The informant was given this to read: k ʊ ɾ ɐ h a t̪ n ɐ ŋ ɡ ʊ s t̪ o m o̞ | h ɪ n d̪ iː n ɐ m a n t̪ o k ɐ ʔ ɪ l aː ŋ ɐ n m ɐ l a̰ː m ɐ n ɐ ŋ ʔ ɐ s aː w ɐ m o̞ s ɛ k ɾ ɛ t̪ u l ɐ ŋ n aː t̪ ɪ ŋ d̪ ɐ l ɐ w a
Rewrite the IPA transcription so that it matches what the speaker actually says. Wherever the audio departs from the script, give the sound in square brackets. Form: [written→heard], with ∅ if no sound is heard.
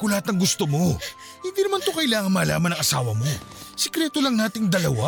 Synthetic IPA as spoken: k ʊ [ɾ→l] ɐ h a t̪ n ɐ ŋ ɡ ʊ s t̪ o m o̞ | h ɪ n d̪ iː n ɐ m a n t̪ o k ɐ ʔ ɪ l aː ŋ ɐ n m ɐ l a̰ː m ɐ n ɐ ŋ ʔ ɐ s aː w ɐ m o̞ s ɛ k ɾ ɛ t̪ [u→o] l ɐ ŋ n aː t̪ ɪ ŋ d̪ ɐ l ɐ w a